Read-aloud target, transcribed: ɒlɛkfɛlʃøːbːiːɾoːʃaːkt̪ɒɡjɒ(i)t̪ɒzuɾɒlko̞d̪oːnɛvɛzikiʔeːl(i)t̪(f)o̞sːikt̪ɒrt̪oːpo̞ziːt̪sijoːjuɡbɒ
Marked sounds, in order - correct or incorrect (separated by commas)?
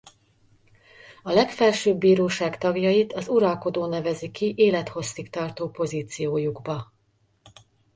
correct, incorrect, incorrect